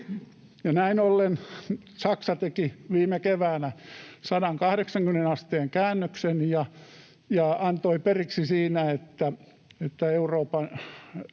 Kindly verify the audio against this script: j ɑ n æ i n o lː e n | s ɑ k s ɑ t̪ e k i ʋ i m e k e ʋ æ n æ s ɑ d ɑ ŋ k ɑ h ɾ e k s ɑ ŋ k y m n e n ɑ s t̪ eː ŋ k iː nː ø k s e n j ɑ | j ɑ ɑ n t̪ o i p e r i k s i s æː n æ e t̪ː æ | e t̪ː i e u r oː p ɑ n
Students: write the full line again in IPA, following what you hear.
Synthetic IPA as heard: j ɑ n æ i n o lː e n | s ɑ k s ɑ t̪ e k i ʋ iː m e k e ʋ æː n æ s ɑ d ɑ ŋ k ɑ h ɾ e k s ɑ ŋ k y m n e n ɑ s t̪ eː ŋ k æː nː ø k s e n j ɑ | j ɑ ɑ n t̪ o i p e r i k s i s iː n æ e t̪ː æ | e t̪ː æ e u r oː p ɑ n